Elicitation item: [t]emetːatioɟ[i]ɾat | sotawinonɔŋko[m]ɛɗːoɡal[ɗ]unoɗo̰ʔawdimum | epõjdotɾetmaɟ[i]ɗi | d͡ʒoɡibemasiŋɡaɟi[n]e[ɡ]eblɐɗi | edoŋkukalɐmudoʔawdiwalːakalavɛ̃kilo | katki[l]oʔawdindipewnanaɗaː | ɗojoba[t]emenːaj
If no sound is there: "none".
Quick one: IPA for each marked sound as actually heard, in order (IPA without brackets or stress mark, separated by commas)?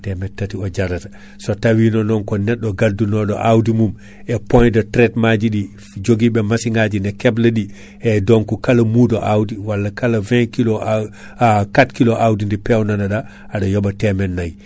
t, a, n, d, i, n, k, l, t